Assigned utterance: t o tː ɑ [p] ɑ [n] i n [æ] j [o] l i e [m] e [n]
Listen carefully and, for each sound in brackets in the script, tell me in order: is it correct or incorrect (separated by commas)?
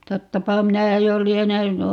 correct, incorrect, correct, correct, incorrect, correct